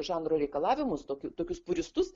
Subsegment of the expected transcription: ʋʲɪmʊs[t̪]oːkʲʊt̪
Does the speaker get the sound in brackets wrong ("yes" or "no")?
no